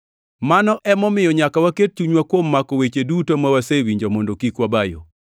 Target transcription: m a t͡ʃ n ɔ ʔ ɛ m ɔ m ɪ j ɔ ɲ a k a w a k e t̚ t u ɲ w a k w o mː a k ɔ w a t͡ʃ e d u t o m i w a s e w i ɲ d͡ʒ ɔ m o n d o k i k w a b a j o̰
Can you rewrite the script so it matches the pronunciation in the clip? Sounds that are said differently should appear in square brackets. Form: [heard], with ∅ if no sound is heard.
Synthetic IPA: m a [∅] n ɔ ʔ ɛ m ɔ m ɪ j ɔ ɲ a k a w a k e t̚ [t͡ʃ] u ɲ w a k w o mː a k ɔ w [e] t͡ʃ e d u t o m [a] w a s e w i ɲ d͡ʒ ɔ m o n d o k i k w a b a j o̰

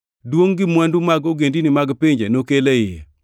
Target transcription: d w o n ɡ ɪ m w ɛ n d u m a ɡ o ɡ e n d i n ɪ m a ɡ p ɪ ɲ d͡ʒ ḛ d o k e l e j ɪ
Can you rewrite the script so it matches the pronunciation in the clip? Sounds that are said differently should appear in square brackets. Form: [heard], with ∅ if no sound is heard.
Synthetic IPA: d w o [ŋ] ɡ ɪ m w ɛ n d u m a ɡ o ɡ e n d i n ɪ m a ɡ p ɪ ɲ d͡ʒ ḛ [n] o k e l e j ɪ

